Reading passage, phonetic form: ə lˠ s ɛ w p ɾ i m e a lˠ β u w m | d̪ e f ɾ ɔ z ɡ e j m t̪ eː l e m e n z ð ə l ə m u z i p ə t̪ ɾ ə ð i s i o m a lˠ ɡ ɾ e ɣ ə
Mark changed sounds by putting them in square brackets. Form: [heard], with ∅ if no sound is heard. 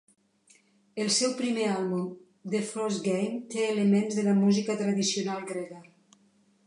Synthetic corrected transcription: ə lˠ s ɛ w p ɾ i m e a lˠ β u [∅] m | d̪ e f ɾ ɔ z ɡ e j m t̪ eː l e m e n z ð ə l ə m u z i [k] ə t̪ ɾ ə ð i s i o [n] a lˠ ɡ ɾ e ɣ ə